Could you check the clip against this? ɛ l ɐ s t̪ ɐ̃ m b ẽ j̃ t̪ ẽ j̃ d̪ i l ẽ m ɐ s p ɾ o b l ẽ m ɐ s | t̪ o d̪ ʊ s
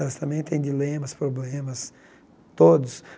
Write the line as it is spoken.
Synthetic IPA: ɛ l ɐ s t̪ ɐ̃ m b ẽ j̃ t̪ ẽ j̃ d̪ i l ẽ m ɐ s p ɾ o b l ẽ m ɐ s | t̪ o d̪ ʊ s